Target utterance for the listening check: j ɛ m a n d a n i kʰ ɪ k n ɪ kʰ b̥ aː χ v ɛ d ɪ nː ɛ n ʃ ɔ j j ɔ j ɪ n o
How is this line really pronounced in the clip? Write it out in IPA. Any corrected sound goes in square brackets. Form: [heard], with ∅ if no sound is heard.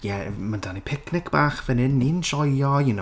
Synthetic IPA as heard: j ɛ m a n d a n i [pʰ] ɪ k n ɪ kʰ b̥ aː χ v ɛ [n] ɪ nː [i] n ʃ ɔ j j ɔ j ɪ n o